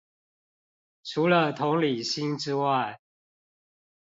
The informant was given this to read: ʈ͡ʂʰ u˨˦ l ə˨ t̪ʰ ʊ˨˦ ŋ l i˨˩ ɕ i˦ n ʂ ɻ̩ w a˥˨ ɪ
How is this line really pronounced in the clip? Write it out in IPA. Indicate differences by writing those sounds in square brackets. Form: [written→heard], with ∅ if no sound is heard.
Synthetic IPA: ʈ͡ʂʰ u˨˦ l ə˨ t̪ʰ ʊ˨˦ ŋ l i˨˩ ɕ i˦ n [ʂ→ʈ͡ʂ] ɻ̩ w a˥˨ ɪ